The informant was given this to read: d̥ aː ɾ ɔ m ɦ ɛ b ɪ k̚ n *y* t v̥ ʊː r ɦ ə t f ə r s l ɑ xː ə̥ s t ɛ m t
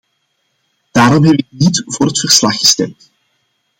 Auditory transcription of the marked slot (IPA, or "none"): i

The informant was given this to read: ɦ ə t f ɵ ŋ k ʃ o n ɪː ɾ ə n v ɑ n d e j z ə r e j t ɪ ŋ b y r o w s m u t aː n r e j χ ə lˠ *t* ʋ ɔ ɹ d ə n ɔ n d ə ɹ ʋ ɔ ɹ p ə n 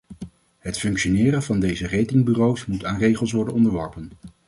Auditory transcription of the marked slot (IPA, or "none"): s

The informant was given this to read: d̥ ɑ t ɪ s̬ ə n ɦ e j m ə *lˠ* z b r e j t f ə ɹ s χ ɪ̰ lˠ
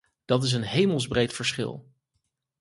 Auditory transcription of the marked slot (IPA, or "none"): lˠ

